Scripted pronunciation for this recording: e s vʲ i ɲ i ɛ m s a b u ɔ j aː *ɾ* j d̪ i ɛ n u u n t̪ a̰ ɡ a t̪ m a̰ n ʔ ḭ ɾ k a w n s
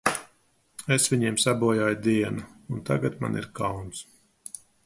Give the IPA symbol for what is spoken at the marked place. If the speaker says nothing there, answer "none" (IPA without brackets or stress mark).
none